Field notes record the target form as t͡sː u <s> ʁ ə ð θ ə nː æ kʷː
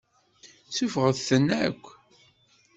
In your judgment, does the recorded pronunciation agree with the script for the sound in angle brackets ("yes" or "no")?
no